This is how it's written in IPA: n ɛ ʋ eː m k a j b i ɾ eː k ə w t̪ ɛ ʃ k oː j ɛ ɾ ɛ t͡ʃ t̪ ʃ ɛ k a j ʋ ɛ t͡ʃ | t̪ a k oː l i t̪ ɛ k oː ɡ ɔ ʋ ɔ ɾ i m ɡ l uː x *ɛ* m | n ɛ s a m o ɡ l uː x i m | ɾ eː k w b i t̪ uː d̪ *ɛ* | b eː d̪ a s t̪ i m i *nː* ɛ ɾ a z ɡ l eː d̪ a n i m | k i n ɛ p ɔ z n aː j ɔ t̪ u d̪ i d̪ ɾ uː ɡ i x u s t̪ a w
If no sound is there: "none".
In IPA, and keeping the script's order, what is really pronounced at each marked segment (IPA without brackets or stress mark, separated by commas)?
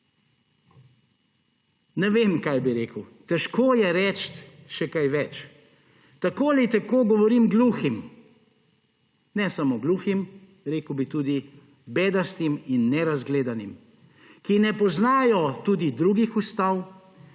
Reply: i, i, nː